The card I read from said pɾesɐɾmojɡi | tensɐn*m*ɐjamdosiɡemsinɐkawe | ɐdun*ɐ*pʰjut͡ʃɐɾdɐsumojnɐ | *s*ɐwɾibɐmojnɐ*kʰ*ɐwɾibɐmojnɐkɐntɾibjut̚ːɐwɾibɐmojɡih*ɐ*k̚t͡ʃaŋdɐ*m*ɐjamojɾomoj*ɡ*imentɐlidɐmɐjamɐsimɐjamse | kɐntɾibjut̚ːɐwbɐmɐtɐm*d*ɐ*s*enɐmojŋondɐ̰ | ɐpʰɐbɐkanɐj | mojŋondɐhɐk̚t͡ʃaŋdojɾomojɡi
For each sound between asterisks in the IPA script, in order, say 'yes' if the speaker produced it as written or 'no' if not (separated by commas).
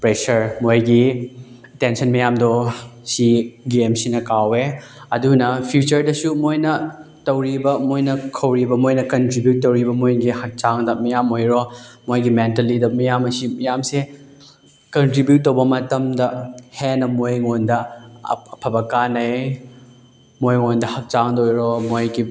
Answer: yes, yes, no, yes, yes, yes, yes, yes, no